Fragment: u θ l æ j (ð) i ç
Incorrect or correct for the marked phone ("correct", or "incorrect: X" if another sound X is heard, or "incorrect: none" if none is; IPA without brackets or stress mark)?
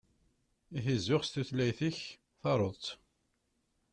incorrect: θ